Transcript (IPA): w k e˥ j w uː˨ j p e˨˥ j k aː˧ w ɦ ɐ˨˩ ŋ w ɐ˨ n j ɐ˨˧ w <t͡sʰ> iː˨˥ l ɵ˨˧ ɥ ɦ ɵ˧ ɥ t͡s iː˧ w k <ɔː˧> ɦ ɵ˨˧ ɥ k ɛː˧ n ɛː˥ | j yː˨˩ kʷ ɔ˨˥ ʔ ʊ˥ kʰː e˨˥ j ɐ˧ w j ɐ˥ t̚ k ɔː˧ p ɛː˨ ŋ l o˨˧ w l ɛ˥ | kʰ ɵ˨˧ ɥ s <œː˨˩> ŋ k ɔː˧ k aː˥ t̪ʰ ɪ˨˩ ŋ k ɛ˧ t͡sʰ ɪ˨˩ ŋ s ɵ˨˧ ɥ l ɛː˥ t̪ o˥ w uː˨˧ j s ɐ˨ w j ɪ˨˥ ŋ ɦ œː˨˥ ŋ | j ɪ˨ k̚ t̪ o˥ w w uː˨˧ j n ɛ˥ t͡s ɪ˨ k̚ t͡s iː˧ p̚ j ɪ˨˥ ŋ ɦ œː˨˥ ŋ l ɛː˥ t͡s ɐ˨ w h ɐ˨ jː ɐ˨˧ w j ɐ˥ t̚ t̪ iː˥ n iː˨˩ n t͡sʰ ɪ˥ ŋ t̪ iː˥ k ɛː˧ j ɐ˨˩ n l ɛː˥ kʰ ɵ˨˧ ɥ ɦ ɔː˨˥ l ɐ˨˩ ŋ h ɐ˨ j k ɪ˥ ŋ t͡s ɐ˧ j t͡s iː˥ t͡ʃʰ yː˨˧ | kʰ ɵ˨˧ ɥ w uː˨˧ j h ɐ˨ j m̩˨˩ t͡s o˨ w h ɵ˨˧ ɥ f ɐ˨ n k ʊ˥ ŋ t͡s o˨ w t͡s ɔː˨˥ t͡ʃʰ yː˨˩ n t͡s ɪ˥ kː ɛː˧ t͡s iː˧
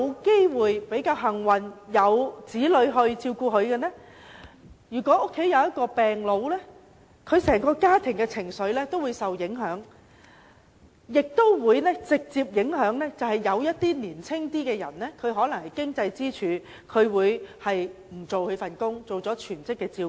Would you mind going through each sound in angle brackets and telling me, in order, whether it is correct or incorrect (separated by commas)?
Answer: incorrect, incorrect, incorrect